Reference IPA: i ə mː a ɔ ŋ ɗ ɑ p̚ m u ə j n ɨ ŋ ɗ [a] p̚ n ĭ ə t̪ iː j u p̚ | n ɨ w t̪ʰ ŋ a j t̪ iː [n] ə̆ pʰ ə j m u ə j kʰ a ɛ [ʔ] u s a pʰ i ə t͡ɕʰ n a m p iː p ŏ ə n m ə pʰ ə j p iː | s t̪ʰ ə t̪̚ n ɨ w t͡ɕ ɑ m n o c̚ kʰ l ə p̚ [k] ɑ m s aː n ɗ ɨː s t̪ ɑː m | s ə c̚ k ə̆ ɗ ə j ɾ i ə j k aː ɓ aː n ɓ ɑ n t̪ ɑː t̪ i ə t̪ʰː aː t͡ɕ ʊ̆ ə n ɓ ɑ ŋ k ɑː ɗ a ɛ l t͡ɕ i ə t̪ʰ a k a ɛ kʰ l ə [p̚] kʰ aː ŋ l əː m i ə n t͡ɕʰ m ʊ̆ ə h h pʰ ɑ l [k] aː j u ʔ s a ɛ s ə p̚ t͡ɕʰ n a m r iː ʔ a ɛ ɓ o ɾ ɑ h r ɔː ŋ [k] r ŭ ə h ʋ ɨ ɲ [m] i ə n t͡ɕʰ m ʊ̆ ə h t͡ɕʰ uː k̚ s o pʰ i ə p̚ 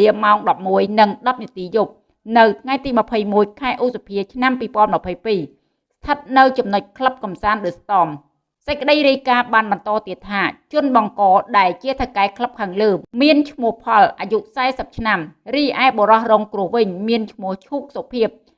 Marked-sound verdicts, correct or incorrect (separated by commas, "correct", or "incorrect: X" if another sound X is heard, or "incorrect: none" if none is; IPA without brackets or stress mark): incorrect: ɑ, incorrect: m, correct, correct, correct, incorrect: ʔ, correct, correct